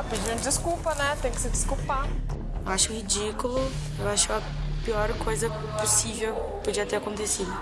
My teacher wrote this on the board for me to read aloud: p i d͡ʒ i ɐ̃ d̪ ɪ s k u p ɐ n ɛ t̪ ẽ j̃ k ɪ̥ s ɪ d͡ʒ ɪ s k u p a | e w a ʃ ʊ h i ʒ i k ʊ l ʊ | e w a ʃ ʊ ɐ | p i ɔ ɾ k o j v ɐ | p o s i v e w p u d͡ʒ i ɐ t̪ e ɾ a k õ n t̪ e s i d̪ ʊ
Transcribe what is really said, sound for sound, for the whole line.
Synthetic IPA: p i d͡ʒ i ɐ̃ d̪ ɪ s k u p ɐ n ɛ t̪ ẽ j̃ k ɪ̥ s ɪ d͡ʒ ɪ s k u p a | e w a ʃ ʊ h i d͡ʒ i k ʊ l ʊ | e w a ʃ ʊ ɐ | p i ɔ ɾ k o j z ɐ | p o s i v e w p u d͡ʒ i ɐ t̪ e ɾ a k õ n t̪ e s i d̪ ʊ